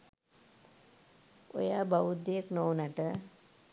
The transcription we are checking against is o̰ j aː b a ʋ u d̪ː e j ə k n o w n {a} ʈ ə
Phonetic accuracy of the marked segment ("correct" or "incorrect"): correct